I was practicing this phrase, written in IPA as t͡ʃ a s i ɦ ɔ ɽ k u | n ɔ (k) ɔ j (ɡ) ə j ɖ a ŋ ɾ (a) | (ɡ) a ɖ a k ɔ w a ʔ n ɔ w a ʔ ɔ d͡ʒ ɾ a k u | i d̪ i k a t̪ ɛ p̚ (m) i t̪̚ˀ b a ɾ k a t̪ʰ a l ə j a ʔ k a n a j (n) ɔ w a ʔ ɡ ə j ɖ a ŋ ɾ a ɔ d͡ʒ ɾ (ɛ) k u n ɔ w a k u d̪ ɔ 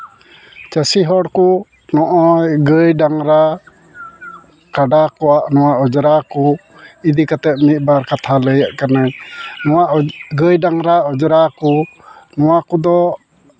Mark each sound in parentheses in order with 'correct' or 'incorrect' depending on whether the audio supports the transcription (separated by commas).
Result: incorrect, correct, correct, incorrect, correct, correct, incorrect